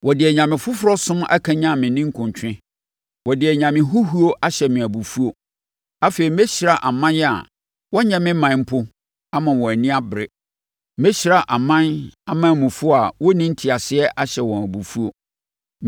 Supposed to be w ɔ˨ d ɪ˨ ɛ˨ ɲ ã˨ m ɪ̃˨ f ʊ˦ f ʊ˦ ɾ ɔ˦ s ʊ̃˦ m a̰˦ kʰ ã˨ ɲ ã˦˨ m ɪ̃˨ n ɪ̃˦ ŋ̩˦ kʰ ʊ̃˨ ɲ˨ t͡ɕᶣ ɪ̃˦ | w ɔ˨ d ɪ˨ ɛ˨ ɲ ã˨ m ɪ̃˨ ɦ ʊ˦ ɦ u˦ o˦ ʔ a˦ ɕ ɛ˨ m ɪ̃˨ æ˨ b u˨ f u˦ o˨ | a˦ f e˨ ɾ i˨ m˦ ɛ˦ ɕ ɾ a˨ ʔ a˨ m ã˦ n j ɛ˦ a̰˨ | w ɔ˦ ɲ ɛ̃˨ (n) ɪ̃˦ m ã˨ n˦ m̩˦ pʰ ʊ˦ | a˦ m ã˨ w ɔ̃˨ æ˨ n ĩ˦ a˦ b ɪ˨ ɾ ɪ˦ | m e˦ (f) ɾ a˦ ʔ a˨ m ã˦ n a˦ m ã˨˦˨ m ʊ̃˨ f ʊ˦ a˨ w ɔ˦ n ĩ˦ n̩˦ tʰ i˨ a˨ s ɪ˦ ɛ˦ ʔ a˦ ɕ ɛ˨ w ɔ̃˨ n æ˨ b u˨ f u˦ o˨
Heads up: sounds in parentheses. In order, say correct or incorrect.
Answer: incorrect: m, incorrect: ɕ

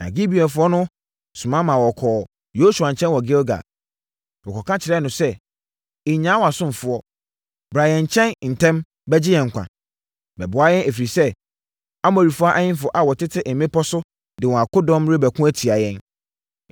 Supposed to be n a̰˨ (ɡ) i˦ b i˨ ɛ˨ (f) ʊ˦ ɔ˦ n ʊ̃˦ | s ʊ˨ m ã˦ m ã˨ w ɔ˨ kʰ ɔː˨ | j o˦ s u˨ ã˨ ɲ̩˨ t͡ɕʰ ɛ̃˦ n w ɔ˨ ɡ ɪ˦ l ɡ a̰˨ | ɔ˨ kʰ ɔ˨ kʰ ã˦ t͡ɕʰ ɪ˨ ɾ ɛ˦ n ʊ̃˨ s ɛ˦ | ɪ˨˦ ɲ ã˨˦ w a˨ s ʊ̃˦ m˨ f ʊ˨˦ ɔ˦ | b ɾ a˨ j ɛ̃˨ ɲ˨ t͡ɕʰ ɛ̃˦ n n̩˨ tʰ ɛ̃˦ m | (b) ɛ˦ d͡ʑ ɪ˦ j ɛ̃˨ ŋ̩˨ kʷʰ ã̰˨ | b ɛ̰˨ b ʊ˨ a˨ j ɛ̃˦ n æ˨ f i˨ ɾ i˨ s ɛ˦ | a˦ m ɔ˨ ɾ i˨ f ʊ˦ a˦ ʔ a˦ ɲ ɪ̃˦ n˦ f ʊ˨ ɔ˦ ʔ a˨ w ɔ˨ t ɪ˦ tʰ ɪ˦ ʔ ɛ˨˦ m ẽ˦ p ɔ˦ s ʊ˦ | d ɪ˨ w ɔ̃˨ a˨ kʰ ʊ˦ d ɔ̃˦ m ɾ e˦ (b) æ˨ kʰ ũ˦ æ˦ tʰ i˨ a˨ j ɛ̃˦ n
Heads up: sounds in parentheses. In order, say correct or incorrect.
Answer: correct, correct, correct, correct

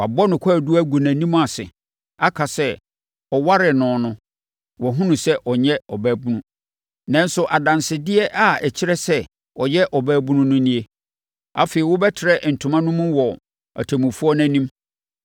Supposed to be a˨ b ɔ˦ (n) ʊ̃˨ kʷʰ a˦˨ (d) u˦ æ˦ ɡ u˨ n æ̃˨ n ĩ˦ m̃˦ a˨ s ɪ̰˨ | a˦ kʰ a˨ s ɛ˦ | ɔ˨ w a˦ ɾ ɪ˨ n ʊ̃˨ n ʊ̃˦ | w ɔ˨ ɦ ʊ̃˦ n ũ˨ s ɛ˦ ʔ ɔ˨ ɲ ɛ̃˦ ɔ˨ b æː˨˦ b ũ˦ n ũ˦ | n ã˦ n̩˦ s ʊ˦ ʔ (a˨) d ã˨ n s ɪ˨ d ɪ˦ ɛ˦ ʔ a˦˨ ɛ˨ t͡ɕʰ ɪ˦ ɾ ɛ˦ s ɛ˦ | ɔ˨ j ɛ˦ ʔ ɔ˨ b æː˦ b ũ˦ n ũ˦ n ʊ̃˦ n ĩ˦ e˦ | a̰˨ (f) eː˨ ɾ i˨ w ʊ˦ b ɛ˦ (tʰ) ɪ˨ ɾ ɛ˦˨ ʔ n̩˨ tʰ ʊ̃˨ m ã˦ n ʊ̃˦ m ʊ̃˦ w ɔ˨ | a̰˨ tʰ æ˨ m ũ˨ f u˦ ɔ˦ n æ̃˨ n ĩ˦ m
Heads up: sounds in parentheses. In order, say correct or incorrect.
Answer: correct, correct, correct, correct, correct

